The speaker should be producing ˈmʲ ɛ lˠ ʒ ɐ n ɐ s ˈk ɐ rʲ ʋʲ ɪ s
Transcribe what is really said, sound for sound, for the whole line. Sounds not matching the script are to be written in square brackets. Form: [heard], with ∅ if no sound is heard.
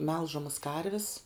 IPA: ˈmʲ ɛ lˠ ʒ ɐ [m] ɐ s ˈk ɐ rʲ ʋʲ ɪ s